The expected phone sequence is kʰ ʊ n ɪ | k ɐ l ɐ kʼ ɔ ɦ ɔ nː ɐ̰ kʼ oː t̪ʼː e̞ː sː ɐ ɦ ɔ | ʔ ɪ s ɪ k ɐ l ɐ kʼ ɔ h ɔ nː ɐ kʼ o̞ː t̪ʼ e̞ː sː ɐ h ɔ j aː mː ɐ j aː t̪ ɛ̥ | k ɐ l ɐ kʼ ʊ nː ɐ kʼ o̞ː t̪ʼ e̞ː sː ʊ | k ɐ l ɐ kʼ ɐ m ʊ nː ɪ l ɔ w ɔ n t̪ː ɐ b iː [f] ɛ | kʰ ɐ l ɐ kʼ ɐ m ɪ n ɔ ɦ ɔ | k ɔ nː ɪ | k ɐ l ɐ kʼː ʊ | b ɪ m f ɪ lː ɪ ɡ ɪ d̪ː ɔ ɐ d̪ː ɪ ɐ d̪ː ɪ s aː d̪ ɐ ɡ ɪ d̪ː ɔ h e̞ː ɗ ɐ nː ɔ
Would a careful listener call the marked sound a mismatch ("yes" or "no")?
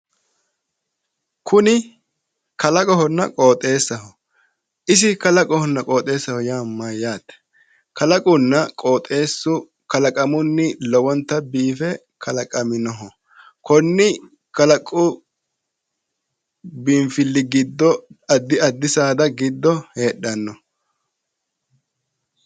no